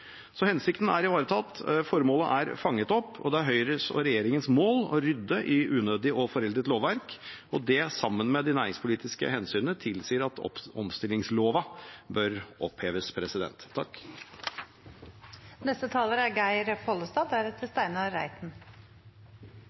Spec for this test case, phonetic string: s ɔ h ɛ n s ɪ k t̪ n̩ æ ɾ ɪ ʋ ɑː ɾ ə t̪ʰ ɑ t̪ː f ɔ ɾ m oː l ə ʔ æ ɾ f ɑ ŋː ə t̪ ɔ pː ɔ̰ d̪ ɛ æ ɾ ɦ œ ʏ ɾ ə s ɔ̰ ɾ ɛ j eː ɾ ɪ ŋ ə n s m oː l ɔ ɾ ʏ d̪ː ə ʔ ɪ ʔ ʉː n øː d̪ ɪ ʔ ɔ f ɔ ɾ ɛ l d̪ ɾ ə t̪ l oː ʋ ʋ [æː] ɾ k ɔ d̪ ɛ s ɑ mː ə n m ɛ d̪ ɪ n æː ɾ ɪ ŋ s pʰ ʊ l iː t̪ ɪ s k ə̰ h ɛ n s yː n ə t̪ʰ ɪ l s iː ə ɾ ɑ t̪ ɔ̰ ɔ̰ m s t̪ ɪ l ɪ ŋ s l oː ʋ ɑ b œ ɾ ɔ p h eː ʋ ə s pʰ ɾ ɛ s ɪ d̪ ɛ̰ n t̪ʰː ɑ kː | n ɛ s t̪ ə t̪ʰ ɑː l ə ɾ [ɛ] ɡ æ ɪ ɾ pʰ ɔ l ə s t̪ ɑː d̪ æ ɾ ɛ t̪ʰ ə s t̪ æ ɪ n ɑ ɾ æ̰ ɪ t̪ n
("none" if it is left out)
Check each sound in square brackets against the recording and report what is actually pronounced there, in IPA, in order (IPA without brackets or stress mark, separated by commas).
æ, æ